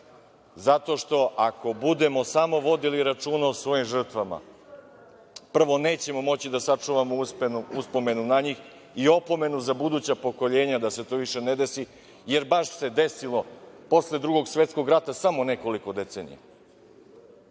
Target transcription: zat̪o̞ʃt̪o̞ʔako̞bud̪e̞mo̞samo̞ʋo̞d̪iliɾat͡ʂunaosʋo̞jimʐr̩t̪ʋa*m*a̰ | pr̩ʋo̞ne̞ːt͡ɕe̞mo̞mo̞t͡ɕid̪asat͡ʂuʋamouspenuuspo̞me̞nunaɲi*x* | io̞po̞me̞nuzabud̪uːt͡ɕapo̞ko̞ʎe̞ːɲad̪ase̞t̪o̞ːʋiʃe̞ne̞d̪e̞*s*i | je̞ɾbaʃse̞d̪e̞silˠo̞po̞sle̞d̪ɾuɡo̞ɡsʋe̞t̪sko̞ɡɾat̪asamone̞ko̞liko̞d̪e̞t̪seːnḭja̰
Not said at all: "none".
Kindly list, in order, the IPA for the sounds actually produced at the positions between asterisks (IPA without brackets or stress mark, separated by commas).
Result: m, x, s